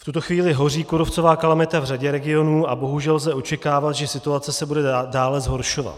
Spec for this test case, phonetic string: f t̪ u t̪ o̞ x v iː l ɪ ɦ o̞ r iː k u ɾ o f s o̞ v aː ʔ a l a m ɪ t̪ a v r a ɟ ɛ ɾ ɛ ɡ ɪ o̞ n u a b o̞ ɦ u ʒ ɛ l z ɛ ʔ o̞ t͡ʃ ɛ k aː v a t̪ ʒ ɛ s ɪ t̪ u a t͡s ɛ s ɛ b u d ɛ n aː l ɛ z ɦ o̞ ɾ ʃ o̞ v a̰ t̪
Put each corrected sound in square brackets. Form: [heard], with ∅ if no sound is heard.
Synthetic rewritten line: f t̪ u t̪ o̞ x v iː l ɪ ɦ o̞ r iː k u ɾ o f [t͡s] o̞ v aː [k] a l a m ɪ t̪ a v r a ɟ ɛ ɾ ɛ ɡ ɪ o̞ n [uː] a b o̞ ɦ u ʒ ɛ l z ɛ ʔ o̞ t͡ʃ ɛ k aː v a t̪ ʒ ɛ s ɪ t̪ u a t͡s ɛ s ɛ b u d ɛ [d] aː l ɛ z ɦ o̞ ɾ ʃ o̞ v a̰ t̪